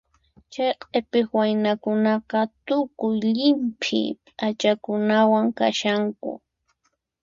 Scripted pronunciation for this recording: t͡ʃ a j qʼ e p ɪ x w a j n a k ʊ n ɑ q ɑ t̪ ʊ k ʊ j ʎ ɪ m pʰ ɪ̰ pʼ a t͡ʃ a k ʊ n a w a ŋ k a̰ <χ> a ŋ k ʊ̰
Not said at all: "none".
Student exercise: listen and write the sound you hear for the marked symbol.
ʃ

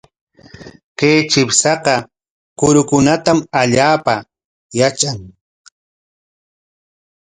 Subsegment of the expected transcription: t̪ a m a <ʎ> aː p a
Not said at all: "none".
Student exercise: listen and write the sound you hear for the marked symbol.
ʎ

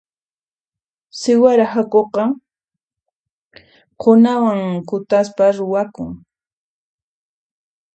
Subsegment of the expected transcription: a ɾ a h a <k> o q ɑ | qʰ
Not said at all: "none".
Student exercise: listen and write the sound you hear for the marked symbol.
k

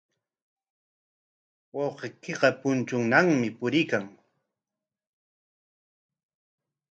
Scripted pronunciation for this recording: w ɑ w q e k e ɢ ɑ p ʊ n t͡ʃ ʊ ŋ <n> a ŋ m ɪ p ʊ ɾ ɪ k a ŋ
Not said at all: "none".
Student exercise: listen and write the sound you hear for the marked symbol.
n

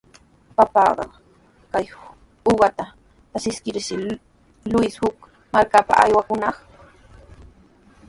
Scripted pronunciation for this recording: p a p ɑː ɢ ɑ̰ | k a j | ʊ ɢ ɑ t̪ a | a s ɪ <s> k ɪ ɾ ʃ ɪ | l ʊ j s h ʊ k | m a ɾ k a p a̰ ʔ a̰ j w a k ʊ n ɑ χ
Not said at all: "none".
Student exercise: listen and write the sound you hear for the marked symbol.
s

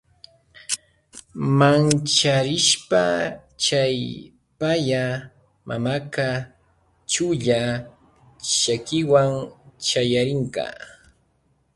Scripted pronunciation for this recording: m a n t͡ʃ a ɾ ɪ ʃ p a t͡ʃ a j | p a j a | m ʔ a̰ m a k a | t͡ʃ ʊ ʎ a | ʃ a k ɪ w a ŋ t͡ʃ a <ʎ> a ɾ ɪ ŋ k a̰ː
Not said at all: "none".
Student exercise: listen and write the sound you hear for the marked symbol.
j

